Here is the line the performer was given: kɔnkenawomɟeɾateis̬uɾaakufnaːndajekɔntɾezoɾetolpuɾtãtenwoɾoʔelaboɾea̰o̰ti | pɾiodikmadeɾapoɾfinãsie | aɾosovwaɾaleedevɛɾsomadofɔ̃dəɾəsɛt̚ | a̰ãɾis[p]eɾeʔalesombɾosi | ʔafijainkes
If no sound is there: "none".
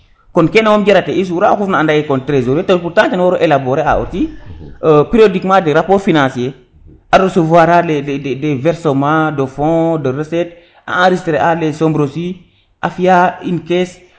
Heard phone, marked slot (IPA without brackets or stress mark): t